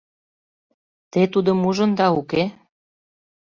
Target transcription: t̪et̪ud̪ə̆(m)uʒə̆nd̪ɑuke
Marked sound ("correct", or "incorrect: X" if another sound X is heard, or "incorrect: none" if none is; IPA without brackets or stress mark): correct